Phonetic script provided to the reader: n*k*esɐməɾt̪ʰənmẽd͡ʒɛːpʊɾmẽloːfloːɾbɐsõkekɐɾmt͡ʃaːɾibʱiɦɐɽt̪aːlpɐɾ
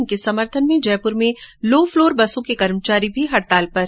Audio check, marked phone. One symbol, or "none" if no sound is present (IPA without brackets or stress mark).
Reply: k